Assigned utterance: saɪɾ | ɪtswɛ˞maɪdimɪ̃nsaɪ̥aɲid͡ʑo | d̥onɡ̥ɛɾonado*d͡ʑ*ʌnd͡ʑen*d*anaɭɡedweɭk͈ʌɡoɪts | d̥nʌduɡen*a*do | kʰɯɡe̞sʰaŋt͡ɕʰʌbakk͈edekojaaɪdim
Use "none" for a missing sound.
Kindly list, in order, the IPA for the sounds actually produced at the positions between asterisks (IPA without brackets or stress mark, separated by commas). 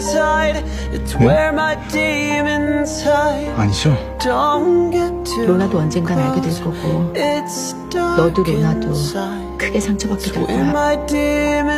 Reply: none, ɡ, a